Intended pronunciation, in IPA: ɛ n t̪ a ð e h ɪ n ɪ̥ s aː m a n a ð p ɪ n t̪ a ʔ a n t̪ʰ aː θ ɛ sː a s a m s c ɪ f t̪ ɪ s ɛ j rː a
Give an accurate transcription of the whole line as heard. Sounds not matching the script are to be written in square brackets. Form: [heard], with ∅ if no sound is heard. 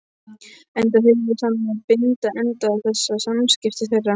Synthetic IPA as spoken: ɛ n t̪ a [θ] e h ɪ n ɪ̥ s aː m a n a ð p ɪ n t̪ a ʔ [ɛ] n [t̪] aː θ ɛ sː a s a m s c ɪ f t̪ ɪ [θ] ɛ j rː a